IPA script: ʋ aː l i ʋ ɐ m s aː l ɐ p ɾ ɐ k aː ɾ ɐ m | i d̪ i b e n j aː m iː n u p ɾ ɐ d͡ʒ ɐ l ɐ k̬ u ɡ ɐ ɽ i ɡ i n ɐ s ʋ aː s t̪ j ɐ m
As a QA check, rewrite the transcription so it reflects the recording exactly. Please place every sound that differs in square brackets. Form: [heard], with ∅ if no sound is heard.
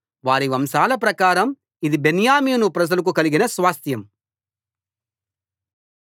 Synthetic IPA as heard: ʋ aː [ɾ] i ʋ ɐ m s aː l ɐ p ɾ ɐ k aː ɾ ɐ m | i d̪ i b e n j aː m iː n u p ɾ ɐ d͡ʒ ɐ l ɐ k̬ u [k] ɐ [l] i ɡ i n ɐ s ʋ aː s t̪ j ɐ m